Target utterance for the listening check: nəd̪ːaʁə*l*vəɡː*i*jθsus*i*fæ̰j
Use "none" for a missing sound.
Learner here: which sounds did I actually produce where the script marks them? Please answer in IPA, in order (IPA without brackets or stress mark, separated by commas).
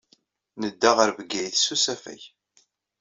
ɾ, æ, æ